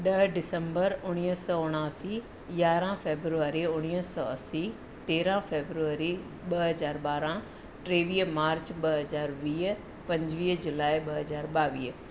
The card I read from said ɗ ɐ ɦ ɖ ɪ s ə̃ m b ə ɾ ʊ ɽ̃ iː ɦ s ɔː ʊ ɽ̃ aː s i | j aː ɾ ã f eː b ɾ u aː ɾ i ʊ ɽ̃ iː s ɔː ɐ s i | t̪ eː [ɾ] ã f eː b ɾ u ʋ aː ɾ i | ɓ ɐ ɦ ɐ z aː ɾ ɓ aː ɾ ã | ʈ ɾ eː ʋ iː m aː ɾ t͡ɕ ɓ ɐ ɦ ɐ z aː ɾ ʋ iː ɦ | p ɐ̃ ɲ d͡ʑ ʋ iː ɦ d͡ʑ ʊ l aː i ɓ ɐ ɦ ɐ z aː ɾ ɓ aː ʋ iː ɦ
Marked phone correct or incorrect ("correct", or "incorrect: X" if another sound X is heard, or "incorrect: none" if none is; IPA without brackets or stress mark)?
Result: correct